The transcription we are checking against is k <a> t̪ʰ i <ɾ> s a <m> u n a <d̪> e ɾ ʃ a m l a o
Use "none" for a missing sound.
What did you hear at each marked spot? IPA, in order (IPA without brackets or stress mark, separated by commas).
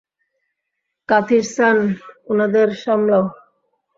a, ɾ, n, d̪